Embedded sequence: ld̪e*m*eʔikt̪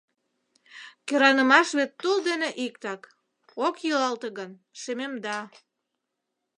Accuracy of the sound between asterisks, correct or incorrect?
incorrect